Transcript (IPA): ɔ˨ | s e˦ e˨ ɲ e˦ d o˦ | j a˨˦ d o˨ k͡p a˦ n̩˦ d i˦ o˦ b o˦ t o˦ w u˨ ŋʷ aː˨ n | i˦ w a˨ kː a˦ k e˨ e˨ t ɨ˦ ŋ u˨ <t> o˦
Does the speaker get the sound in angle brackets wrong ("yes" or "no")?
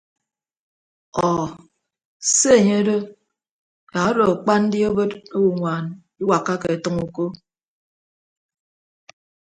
yes